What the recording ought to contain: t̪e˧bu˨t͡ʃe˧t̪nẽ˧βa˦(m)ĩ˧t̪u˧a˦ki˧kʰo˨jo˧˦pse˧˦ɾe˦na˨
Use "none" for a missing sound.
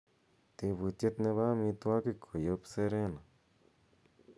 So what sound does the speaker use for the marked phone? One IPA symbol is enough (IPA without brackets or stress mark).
m